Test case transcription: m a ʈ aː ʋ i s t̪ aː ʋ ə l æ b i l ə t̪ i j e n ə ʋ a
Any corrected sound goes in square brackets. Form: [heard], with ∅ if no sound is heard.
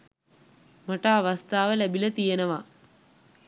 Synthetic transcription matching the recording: m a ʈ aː ʋ [a] s t̪ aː ʋ ə l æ b i l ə t̪ i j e n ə ʋ a